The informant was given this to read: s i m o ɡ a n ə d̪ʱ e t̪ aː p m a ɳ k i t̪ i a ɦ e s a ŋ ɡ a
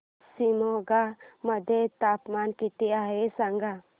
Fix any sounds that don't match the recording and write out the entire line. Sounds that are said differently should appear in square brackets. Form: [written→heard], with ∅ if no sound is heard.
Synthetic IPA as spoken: s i m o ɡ a [n→m] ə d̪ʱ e t̪ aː p m a [ɳ→n] k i t̪ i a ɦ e s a ŋ ɡ a